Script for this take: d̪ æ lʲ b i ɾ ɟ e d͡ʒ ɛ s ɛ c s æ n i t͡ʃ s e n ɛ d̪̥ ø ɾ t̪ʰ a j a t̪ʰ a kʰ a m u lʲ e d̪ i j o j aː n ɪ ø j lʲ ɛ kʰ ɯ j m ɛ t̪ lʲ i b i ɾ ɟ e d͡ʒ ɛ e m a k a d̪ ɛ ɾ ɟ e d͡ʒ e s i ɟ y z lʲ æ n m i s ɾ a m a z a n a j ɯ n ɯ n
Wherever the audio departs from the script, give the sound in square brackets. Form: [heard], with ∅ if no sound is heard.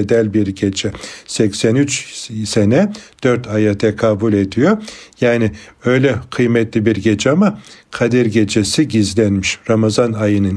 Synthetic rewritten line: d̪ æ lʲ b i ɾ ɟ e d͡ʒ ɛ s ɛ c s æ n [y] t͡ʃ s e n ɛ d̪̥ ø ɾ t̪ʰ a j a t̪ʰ [ɛ] kʰ a [b] u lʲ e d̪ i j o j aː n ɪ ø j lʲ ɛ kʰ ɯ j m ɛ t̪ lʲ i b i ɾ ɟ e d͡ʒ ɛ [a] m a [kʰ] a d̪ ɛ ɾ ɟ e d͡ʒ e s i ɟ [i] z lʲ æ n m i [ʃ] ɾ a m a z a n a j ɯ n ɯ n